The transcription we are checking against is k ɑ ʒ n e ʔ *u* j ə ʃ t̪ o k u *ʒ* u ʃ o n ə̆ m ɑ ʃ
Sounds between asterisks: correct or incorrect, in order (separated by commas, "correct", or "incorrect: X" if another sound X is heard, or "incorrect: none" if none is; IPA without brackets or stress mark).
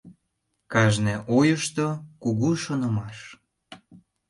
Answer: incorrect: o, incorrect: ɣ